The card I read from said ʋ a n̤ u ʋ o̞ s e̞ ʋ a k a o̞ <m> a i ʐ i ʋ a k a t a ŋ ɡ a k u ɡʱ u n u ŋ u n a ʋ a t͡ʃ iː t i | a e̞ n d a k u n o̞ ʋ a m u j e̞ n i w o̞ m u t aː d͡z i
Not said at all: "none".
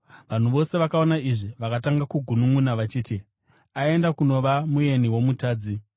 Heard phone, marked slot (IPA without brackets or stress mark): n